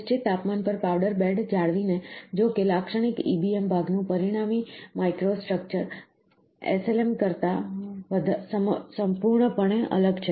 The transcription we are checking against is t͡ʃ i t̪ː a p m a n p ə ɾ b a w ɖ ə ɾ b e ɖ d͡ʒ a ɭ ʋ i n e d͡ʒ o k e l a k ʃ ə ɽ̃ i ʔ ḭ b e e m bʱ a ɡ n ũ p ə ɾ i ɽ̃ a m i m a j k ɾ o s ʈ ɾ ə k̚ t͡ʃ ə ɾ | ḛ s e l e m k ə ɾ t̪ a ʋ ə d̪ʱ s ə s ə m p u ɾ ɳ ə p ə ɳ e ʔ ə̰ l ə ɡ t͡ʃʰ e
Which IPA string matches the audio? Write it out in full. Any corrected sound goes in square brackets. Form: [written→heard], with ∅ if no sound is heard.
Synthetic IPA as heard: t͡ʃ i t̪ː a p m a n p ə ɾ [b→p] a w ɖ ə ɾ b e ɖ d͡ʒ a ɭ ʋ i n e d͡ʒ o k e l a k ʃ ə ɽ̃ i [ʔ→k] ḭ b [e→i] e m bʱ a ɡ n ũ p ə ɾ i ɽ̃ a m i m a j k ɾ o s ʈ ɾ ə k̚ t͡ʃ ə ɾ | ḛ s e l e m k ə ɾ t̪ a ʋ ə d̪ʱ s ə s ə m p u ɾ ɳ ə p ə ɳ e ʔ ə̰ l ə ɡ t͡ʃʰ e